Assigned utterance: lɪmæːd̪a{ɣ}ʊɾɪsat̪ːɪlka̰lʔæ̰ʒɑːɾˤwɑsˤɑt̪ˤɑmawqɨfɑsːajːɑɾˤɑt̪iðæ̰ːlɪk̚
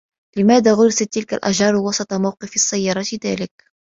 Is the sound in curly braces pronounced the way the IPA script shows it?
yes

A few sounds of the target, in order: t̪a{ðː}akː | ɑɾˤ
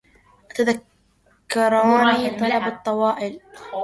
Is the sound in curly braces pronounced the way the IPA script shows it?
no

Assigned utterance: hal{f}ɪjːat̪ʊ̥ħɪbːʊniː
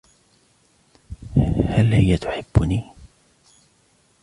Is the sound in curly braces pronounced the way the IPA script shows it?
no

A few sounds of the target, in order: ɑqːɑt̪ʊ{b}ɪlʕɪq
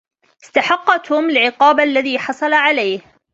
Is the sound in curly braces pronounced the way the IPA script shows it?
no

